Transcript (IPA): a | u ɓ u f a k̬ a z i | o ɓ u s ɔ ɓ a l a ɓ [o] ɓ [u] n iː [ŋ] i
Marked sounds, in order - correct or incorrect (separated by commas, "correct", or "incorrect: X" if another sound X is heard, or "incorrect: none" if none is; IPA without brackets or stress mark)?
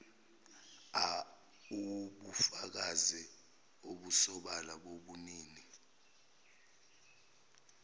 correct, correct, incorrect: n